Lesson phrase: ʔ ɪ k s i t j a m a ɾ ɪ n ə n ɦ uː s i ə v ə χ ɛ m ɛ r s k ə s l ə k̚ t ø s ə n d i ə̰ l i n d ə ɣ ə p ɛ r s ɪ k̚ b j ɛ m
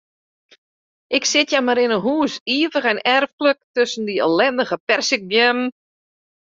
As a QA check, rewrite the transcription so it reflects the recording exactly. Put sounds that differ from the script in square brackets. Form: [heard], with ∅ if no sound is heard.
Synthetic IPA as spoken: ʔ ɪ k s [ɪ] t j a m a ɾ ɪ n ə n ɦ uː s i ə v ə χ ɛ [n] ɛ r [f] k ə [∅] l ə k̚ t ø s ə n d i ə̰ l [ɛ] n d ə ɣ ə p ɛ r s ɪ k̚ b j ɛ m